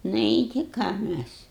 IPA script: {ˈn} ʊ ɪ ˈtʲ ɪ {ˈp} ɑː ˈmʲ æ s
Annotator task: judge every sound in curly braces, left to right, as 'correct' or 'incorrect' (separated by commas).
correct, incorrect